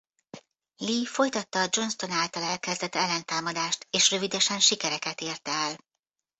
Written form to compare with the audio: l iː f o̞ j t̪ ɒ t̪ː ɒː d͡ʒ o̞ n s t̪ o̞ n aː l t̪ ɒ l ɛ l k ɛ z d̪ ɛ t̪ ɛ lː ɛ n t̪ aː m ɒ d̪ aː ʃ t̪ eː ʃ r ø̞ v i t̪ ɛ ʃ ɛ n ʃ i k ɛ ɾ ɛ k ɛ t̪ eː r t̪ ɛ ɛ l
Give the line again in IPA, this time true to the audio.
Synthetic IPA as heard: l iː f o̞ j t̪ ɒ t̪ː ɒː d͡ʒ o̞ n s t̪ o̞ n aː l t̪ ɒ l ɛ l k ɛ z d̪ ɛ t̪ ɛ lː ɛ n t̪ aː m ɒ d̪ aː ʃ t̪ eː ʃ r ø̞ v i d̪ ɛ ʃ ɛ n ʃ i k ɛ ɾ ɛ k ɛ t̪ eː r t̪ ɛ ɛ l